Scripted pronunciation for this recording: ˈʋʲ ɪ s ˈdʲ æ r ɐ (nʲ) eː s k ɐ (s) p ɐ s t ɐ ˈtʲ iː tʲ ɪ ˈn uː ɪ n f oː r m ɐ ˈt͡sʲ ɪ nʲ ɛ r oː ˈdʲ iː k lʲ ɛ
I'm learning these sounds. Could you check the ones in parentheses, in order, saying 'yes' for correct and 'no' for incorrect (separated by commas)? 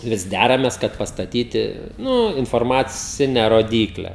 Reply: no, no